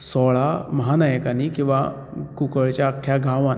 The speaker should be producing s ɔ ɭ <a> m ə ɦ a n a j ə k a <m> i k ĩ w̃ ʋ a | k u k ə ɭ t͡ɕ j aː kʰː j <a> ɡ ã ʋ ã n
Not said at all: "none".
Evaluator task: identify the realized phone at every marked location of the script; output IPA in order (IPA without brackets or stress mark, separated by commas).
a, n, a